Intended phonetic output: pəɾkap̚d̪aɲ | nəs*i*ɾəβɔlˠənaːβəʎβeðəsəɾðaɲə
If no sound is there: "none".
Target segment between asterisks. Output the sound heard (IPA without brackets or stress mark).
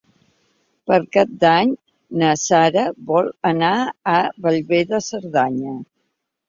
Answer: a